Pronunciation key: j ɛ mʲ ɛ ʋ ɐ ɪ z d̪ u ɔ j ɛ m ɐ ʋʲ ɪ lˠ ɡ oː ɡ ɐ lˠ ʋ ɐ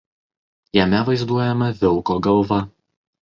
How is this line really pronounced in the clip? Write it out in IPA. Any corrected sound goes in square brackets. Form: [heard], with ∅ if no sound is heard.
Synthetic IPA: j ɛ mʲ ɛ ʋ ɐ ɪ z d̪ u ɔ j ɛ m ɐ ʋʲ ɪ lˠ [k] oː ɡ ɐ lˠ ʋ ɐ